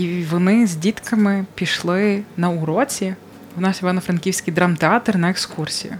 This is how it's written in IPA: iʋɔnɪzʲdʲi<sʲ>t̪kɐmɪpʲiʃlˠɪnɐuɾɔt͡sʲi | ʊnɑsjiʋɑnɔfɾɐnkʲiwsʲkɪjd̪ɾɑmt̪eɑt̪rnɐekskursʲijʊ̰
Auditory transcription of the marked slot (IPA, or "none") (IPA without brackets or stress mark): none